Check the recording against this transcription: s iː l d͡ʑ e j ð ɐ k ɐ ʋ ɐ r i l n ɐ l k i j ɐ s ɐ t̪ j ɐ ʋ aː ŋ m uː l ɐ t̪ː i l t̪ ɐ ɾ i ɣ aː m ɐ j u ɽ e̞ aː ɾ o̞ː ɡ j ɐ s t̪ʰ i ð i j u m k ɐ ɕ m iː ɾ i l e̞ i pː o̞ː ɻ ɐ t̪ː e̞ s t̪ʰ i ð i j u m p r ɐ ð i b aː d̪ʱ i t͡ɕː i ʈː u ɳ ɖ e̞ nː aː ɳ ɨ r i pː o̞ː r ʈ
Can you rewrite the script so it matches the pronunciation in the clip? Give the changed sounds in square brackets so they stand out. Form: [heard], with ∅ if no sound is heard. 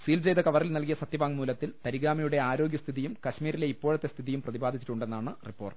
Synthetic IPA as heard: s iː l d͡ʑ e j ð ɐ k ɐ ʋ ɐ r i l n ɐ l k i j ɐ s ɐ t̪ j ɐ ʋ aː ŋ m uː l ɐ t̪ː i l t̪ ɐ ɾ i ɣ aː m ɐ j u ɽ e̞ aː ɾ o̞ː ɡ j ɐ s t̪ʰ i ð i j u m k ɐ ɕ m iː ɾ i l e̞ i pː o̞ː ɻ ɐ t̪ː e̞ s t̪ʰ i ð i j u m p r ɐ ð i b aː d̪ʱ i t͡ɕː i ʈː u ɳ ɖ e̞ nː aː ɳ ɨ r i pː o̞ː r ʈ